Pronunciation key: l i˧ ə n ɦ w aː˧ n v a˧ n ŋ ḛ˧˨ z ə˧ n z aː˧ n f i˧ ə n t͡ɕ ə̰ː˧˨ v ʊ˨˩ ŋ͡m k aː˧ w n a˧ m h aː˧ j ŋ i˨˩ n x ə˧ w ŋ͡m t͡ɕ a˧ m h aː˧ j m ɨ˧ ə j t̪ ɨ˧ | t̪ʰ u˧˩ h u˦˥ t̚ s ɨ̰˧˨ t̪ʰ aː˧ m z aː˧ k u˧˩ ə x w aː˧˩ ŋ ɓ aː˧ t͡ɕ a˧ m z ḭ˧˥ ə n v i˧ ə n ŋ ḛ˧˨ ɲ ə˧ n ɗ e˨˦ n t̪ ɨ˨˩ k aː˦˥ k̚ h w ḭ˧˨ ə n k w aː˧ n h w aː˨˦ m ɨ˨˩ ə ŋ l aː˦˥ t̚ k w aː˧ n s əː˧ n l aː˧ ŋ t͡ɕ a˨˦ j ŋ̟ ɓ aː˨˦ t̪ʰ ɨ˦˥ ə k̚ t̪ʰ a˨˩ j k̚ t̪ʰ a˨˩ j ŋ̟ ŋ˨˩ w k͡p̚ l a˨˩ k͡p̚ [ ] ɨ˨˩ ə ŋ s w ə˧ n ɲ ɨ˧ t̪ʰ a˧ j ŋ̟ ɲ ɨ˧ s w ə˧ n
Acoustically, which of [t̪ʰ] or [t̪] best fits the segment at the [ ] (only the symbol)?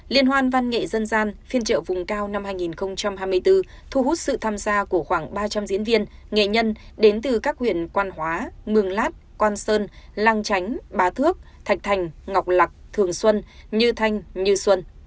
t̪ʰ